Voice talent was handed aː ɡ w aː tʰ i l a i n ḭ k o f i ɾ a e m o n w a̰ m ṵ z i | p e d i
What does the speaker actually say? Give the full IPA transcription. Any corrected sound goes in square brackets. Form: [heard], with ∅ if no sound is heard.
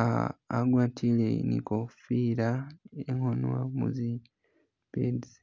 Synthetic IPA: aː ɡ w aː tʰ i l [e] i n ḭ k o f i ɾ a e [ŋ] o n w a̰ m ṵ z i | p e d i